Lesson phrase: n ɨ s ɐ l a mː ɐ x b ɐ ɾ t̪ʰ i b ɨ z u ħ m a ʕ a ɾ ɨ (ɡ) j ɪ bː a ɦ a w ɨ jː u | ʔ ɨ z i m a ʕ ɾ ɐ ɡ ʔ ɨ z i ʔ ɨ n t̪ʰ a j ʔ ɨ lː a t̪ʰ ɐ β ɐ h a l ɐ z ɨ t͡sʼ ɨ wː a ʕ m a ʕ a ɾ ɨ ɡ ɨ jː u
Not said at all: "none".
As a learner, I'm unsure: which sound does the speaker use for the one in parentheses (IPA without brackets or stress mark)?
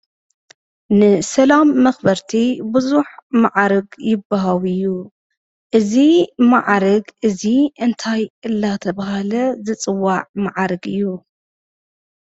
ɡ